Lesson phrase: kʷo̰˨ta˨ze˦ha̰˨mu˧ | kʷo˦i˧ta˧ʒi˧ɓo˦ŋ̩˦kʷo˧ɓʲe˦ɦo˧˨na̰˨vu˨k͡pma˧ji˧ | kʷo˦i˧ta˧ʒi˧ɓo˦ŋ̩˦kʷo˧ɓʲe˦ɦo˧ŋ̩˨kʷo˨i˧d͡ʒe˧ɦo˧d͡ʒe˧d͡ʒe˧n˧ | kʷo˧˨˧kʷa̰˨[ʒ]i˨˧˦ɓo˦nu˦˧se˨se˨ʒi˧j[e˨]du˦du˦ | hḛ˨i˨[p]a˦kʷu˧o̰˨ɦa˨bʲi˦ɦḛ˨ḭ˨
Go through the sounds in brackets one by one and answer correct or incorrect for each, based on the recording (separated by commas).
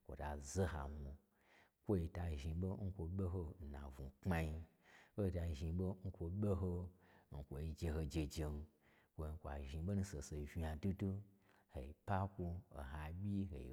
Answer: correct, incorrect, correct